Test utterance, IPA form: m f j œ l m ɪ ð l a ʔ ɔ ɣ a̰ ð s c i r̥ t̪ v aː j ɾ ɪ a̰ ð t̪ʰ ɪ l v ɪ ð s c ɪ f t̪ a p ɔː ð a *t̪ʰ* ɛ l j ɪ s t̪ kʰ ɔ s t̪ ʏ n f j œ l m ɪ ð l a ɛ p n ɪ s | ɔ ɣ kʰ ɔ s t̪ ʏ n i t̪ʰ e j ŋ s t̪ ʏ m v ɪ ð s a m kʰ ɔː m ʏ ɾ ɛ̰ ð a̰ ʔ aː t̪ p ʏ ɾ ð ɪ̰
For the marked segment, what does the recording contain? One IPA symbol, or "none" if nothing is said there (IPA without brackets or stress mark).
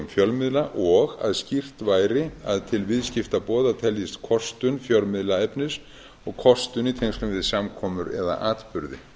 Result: t̪ʰ